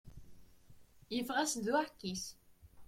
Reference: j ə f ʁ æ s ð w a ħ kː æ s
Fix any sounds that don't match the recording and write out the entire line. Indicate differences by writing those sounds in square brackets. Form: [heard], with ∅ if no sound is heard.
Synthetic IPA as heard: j ə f ʁ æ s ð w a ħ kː [i] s

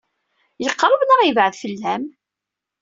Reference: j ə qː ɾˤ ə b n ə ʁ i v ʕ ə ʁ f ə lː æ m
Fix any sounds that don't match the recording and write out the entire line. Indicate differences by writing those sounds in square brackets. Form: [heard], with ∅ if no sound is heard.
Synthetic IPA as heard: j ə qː ɾˤ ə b n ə ʁ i v ʕ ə [ð] f ə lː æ m

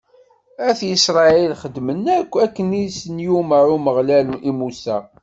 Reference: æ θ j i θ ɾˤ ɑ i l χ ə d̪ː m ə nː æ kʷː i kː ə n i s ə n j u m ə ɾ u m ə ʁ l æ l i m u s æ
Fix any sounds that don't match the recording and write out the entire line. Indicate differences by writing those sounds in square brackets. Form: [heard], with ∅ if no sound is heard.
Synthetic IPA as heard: æ θ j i [s] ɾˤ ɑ i l χ ə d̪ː m ə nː æ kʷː [æ] kː ə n i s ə n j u m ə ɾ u m ə ʁ l æ l i m u s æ

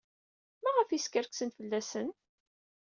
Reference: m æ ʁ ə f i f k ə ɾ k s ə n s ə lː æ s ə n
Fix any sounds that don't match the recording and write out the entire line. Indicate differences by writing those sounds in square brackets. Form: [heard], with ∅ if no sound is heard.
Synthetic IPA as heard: m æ ʁ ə f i [s] k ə ɾ k s ə n [f] ə lː æ s ə n

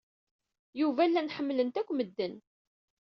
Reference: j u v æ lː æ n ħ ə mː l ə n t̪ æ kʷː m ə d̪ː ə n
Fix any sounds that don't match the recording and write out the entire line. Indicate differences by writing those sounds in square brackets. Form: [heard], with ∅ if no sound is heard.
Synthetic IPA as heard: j u v æ lː æ n ħ ə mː l ə n t̪ æ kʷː m ə d̪ː ə n

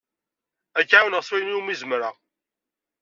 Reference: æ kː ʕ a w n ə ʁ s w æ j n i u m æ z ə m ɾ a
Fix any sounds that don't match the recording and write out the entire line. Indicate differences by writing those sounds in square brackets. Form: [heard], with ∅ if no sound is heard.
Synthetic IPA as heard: æ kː ʕ a w n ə ʁ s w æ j n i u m [i] z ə m ɾ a

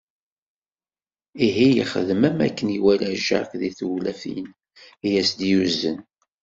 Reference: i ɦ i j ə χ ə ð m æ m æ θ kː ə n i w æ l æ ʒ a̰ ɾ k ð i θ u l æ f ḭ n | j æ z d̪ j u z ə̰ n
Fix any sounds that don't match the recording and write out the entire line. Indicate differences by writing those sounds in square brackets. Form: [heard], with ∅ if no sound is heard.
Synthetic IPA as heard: i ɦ i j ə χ ə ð m æ m æ [∅] kː ə n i w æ l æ ʒ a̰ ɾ k ð i θ u l æ f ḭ n | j æ [s] d̪ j u z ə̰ n

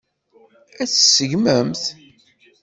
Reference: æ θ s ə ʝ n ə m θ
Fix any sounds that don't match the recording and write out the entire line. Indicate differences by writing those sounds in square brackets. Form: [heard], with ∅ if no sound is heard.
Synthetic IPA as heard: æ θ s ə ʝ [m] ə m θ

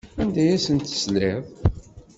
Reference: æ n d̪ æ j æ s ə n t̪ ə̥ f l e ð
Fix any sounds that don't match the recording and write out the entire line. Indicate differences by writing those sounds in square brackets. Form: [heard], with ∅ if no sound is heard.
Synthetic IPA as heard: æ n d̪ æ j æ s ə n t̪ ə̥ [s] l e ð

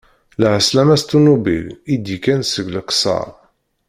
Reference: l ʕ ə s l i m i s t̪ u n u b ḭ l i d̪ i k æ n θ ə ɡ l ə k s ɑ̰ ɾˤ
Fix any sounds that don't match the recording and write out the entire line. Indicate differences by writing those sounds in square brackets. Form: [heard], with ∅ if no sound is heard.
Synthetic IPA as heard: l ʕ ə s l [æ] m [æ] s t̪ u n u b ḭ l i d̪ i k æ n [s] ə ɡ l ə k s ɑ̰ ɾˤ

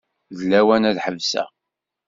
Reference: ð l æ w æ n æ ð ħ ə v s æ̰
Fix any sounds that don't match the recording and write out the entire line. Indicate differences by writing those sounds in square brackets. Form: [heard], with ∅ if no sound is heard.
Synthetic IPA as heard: ð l æ w æ n æ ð ħ ə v s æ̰

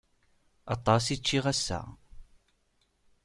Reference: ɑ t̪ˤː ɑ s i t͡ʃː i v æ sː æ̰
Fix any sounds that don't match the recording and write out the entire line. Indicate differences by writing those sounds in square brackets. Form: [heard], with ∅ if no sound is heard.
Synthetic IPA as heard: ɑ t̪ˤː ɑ s i t͡ʃː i [ʁ] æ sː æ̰

